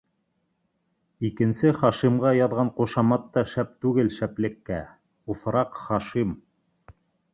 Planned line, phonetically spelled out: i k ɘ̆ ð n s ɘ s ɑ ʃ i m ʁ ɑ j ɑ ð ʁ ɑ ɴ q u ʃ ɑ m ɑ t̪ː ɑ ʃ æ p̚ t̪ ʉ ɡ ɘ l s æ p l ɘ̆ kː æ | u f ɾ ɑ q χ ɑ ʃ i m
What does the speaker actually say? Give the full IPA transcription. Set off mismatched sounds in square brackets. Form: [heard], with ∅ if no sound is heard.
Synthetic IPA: i k ɘ̆ [∅] n s ɘ [χ] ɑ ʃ i m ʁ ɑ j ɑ ð ʁ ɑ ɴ q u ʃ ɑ m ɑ t̪ː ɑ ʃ æ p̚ t̪ ʉ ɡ ɘ l [ʃ] æ p l ɘ̆ kː æ | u f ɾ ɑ q χ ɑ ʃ i m